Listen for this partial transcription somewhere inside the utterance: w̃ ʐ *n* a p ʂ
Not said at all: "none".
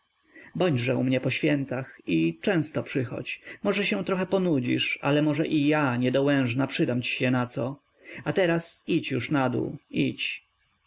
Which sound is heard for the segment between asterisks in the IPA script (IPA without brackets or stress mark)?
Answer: n